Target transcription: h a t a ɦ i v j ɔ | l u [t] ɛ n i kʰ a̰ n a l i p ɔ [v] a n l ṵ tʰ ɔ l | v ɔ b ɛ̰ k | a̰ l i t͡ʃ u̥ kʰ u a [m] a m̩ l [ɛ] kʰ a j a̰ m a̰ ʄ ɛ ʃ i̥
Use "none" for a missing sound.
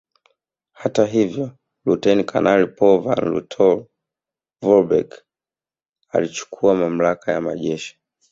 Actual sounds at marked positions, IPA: t, v, m, a

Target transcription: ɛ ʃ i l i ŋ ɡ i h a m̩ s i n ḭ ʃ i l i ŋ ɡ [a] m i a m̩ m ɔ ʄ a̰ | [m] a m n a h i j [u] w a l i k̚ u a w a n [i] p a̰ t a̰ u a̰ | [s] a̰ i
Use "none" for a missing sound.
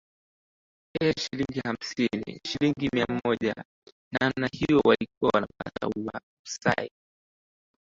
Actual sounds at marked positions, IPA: i, n, ɔ, a, s

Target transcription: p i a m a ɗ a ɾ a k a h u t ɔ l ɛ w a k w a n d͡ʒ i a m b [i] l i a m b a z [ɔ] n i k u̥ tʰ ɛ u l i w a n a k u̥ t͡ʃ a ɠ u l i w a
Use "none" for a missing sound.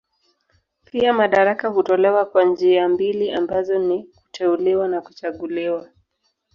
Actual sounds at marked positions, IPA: i, ɔ

